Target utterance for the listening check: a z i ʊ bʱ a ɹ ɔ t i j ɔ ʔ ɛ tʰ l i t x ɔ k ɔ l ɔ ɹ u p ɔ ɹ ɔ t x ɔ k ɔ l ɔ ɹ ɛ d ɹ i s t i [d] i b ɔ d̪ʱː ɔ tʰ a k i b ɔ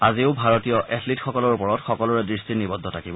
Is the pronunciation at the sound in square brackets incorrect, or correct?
incorrect